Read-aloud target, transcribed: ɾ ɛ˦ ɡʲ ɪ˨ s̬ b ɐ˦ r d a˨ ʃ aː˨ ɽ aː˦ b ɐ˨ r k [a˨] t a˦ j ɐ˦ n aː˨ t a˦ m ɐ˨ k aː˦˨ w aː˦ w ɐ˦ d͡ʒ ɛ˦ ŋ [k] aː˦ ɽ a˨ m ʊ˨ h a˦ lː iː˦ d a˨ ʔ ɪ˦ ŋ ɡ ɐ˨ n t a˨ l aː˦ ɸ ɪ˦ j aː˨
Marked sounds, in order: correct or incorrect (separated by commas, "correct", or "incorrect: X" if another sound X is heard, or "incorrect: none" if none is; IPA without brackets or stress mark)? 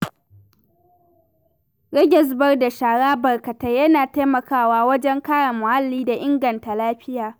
incorrect: ɐ˨, correct